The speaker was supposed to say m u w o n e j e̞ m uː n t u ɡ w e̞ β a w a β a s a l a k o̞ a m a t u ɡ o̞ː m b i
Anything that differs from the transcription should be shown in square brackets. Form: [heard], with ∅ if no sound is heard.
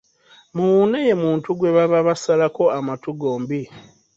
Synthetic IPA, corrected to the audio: m u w [u] n e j e̞ m uː n t u ɡ w e̞ β a [β] a β a s a l a k o̞ a m a t u ɡ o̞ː m b i